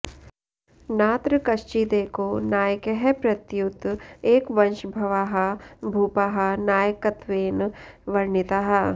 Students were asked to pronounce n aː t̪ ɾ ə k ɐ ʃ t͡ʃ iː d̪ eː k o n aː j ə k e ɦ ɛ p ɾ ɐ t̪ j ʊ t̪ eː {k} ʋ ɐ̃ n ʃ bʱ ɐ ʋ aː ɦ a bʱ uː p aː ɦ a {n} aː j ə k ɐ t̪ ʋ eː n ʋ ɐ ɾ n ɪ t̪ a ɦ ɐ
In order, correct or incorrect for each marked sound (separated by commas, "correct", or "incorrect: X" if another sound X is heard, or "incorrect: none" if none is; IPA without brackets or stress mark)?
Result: correct, correct